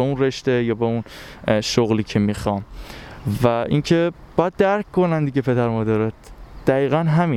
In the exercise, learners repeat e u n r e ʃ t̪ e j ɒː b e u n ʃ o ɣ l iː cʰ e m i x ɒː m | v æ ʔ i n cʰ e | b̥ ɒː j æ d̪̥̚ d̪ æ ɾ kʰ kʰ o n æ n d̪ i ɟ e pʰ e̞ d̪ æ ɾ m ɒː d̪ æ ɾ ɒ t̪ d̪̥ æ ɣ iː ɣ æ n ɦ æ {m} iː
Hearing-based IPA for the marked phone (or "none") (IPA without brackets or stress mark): m